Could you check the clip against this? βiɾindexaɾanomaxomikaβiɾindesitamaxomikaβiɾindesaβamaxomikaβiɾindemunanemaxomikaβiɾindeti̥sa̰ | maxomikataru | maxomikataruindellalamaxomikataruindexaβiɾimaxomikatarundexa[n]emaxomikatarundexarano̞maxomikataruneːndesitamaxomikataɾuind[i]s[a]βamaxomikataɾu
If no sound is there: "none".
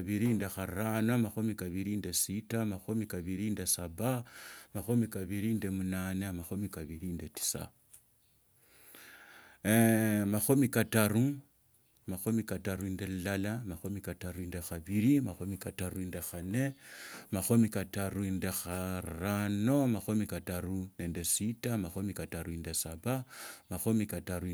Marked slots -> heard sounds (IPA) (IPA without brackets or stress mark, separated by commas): n, e, a